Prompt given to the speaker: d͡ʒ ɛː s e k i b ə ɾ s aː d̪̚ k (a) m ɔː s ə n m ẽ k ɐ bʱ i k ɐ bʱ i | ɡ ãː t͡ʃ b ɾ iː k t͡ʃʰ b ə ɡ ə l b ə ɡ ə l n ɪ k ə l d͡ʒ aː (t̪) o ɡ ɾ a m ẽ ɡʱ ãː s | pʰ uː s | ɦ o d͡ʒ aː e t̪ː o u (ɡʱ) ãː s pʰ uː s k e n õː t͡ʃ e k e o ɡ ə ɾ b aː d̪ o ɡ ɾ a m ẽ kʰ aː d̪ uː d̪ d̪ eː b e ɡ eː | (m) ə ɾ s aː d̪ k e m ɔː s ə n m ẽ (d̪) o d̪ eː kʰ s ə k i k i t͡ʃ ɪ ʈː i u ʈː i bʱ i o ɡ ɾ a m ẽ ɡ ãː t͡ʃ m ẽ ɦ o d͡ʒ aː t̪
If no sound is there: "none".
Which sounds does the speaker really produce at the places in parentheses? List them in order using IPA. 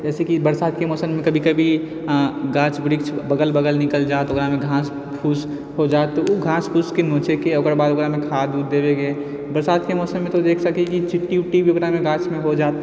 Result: e, t̪, ɡʱ, b, t̪

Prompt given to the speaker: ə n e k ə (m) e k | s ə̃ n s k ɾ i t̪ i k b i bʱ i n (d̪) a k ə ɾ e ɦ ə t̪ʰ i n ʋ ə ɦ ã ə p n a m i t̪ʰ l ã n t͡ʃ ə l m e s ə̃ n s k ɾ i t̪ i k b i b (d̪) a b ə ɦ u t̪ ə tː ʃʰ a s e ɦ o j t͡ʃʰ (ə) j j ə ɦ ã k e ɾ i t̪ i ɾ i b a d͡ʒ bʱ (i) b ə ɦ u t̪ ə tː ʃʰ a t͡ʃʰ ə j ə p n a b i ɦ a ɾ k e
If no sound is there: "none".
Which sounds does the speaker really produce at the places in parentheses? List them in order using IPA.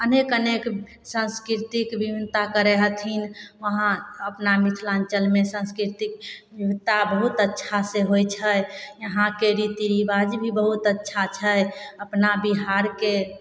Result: n, t̪, t̪, ə, i

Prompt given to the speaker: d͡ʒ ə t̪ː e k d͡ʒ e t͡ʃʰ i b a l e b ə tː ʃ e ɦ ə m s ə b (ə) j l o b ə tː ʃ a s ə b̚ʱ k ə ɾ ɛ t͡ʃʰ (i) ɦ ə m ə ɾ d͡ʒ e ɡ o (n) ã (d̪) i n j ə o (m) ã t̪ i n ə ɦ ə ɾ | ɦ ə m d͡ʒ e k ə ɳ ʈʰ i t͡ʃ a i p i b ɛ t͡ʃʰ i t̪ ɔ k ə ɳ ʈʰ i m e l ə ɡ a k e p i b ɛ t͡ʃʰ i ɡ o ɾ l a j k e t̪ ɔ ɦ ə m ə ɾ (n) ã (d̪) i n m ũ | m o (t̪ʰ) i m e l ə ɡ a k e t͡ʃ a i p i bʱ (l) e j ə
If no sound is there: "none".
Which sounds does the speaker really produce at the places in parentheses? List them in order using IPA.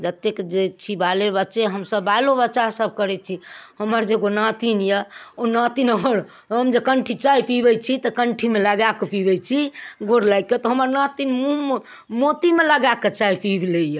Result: a, i, n, t̪, n, n, t̪, t̪, l

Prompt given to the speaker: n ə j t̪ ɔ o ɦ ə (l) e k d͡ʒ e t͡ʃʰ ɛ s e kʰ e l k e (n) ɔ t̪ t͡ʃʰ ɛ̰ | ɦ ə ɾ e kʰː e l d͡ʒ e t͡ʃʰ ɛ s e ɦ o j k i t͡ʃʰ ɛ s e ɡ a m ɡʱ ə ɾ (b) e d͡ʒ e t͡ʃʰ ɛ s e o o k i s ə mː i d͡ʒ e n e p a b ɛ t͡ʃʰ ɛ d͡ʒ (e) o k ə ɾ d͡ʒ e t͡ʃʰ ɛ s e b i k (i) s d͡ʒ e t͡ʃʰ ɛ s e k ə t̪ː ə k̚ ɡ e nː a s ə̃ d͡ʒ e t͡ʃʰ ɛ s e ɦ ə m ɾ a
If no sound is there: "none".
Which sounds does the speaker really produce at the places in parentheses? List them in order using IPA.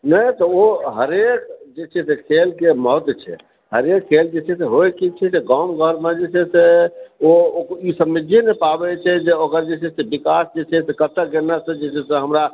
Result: ɾ, m, m, e, a

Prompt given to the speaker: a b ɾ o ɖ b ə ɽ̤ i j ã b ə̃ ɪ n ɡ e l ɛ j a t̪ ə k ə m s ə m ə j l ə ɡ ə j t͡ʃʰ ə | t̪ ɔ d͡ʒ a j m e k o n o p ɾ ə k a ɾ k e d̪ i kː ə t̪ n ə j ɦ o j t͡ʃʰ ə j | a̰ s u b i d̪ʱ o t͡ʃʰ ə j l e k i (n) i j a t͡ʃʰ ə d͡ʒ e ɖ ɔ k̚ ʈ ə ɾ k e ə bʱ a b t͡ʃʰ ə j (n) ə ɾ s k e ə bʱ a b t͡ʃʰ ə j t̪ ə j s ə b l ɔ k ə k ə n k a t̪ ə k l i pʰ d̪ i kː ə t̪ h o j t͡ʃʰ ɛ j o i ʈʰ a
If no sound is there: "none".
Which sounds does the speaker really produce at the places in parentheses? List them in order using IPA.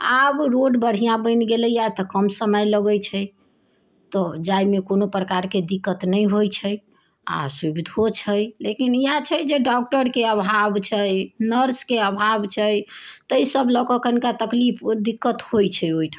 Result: n, n

